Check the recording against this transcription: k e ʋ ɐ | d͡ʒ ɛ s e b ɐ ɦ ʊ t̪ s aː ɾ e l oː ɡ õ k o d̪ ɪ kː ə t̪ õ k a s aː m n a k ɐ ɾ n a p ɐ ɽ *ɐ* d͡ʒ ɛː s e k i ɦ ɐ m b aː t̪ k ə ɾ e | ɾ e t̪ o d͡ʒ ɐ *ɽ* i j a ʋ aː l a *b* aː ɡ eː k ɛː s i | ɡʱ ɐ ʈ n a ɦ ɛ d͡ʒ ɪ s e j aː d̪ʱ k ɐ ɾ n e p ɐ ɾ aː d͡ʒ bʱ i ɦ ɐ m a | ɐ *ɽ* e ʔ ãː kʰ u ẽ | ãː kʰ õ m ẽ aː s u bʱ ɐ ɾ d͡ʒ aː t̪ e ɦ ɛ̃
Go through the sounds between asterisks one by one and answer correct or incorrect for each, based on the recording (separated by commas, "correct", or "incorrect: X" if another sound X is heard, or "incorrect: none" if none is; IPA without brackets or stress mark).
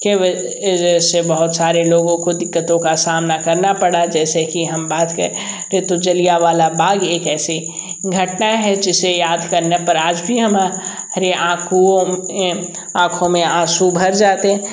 incorrect: a, incorrect: l, correct, incorrect: ɾ